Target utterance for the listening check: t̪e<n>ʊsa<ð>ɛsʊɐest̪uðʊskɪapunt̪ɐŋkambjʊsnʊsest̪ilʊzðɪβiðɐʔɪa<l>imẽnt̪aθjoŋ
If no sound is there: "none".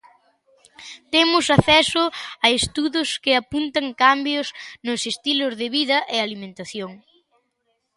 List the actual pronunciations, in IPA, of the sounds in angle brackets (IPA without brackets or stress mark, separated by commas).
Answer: m, θ, l